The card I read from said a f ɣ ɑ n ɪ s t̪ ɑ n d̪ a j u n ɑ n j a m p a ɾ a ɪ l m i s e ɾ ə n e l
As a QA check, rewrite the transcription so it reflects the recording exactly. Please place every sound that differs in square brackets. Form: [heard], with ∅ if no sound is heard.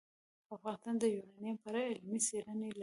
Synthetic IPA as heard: a f ɣ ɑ n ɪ s t̪ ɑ n d̪ [ə] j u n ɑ n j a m p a ɾ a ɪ l m i s e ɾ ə n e l